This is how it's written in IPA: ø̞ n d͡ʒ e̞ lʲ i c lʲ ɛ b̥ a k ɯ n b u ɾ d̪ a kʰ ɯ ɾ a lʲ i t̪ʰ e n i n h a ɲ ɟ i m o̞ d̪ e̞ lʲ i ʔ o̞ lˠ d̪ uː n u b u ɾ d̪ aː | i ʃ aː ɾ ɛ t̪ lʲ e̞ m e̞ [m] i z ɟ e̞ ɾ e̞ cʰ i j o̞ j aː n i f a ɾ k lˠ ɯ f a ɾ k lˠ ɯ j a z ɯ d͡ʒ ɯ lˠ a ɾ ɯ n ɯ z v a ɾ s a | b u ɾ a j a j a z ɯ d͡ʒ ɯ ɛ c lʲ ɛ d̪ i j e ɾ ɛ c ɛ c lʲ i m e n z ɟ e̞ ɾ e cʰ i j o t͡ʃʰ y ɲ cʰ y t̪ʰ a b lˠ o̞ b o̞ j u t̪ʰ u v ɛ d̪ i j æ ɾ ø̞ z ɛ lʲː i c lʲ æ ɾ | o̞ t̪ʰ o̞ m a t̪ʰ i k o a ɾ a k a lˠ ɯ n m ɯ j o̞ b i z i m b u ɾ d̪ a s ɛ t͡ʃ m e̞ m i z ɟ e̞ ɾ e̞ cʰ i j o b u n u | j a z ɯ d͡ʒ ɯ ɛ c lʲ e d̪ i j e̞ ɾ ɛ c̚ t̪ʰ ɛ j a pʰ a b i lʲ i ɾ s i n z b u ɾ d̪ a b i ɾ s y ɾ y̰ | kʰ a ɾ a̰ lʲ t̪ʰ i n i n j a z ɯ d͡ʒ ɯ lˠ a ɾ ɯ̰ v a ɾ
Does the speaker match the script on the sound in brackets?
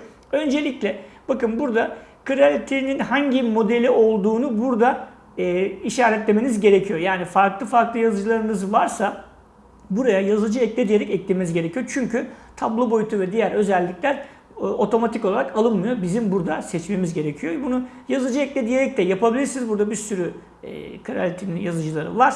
no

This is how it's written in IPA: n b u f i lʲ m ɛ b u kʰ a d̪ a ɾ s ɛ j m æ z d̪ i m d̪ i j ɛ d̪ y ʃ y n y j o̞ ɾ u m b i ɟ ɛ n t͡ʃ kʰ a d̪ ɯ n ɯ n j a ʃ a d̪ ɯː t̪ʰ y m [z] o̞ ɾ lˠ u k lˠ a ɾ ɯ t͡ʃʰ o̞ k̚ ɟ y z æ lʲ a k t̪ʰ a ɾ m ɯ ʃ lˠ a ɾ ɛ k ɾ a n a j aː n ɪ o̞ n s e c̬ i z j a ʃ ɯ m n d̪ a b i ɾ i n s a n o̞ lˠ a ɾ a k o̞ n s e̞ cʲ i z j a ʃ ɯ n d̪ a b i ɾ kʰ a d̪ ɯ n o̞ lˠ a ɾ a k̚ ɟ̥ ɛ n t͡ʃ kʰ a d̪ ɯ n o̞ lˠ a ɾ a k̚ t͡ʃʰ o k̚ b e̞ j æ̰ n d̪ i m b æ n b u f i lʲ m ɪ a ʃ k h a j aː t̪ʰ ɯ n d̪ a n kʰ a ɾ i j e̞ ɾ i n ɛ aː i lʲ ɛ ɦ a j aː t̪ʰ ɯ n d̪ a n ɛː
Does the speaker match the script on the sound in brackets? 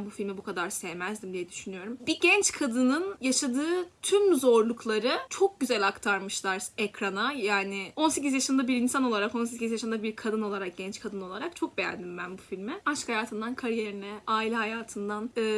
yes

